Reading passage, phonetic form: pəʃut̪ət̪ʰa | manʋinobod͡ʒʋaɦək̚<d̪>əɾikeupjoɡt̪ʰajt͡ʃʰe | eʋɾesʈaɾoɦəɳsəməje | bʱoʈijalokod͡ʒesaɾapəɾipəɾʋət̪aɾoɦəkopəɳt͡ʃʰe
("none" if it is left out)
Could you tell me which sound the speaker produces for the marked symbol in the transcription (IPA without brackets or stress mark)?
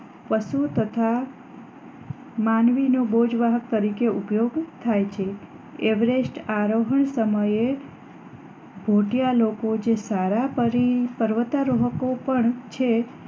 t̪